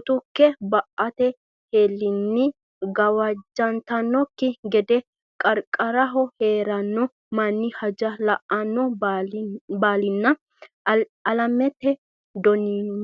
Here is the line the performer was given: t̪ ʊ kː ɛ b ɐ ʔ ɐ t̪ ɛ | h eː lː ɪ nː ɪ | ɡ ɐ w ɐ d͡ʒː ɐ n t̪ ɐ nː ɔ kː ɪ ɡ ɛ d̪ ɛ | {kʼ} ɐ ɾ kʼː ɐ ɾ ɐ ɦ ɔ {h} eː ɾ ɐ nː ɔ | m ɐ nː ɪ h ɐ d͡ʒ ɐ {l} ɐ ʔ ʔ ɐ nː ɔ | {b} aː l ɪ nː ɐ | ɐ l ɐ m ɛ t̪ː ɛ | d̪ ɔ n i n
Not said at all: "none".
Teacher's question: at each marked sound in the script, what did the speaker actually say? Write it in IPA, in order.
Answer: kʼ, h, l, b

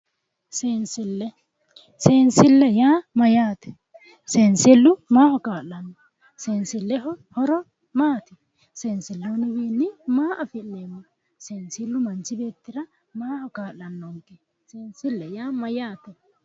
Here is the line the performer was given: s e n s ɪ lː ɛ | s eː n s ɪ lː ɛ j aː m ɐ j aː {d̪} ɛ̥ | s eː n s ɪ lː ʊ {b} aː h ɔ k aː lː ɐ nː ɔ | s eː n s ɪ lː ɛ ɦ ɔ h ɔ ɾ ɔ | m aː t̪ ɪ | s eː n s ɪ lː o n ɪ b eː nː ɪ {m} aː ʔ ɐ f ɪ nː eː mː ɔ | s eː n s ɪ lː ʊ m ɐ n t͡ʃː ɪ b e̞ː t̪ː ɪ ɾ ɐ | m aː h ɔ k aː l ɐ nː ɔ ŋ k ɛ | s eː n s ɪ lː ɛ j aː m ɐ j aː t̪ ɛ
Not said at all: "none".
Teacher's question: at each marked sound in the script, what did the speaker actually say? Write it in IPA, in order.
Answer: t̪, m, m

